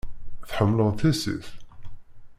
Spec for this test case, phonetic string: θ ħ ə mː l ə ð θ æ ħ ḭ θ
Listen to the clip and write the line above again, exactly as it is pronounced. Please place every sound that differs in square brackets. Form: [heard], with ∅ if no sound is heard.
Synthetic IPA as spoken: θ ħ ə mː l ə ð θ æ [s] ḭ θ